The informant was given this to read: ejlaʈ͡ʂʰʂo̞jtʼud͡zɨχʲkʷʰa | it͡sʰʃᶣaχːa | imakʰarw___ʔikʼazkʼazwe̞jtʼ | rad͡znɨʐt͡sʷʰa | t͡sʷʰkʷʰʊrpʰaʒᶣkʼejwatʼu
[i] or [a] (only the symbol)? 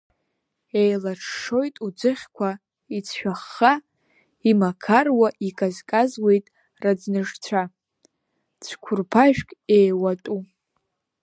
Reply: a